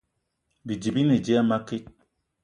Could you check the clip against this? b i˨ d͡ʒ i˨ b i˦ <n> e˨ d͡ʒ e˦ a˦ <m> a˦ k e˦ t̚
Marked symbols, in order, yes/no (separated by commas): yes, yes